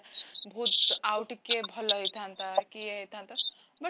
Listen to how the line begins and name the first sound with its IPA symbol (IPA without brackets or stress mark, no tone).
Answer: bʱ